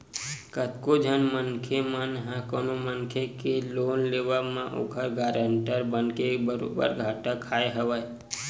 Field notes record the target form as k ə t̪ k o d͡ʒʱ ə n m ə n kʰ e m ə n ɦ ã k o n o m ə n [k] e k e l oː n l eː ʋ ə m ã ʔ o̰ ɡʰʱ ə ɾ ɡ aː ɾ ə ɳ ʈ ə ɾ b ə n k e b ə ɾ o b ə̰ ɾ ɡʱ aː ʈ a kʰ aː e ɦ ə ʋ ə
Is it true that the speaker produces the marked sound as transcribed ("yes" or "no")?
no